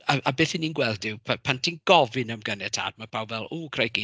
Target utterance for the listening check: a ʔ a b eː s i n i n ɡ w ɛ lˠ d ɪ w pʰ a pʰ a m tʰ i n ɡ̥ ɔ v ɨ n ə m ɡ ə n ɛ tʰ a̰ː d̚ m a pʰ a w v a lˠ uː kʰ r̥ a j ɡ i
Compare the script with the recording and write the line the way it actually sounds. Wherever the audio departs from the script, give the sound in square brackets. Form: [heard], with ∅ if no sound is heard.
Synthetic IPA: a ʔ a b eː [θ] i n i n ɡ w ɛ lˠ d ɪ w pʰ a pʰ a [n] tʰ i n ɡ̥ ɔ v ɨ n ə m ɡ ə n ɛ tʰ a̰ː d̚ m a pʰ a w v [ɛ] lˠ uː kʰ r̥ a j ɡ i